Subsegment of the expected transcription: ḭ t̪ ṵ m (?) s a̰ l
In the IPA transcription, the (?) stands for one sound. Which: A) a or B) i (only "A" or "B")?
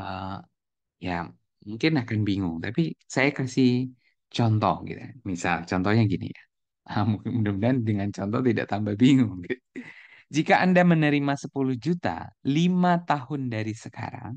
B